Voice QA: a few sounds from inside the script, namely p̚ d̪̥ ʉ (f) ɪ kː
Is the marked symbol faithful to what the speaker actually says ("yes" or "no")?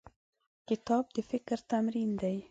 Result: yes